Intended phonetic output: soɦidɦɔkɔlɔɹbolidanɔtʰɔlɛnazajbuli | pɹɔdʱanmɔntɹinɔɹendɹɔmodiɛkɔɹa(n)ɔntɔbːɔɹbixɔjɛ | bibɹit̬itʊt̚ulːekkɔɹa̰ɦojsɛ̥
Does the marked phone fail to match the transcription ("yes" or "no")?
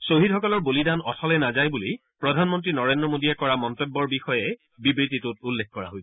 yes